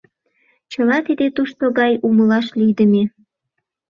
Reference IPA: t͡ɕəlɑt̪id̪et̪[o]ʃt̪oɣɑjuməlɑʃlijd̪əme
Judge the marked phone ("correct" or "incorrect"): incorrect